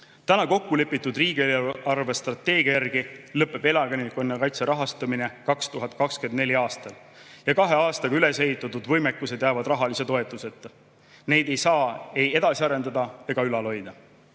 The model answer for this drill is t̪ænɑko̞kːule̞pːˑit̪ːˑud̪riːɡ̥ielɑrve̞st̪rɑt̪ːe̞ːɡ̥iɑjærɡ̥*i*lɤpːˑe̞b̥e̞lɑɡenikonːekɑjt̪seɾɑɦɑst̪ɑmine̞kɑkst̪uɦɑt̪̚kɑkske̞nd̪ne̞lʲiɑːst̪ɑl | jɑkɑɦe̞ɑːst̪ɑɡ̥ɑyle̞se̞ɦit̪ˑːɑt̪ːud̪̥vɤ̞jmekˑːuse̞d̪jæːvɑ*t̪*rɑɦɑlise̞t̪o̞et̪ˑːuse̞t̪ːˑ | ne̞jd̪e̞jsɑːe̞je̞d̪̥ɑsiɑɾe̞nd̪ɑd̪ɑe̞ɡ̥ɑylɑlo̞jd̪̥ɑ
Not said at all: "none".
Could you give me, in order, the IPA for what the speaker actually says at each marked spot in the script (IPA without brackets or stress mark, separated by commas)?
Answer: i, d̪